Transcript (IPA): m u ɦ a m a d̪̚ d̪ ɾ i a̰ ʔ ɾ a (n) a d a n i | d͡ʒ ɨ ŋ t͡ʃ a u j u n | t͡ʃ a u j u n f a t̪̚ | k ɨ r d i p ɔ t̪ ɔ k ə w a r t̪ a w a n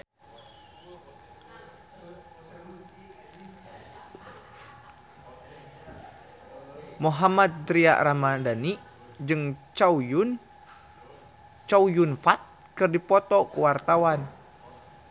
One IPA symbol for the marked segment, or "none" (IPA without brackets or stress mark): m